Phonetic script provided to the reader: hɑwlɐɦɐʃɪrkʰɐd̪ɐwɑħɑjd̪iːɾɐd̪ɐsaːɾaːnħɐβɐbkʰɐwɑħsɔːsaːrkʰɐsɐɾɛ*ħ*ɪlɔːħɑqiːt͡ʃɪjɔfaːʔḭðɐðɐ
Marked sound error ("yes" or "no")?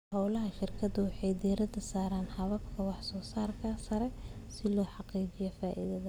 yes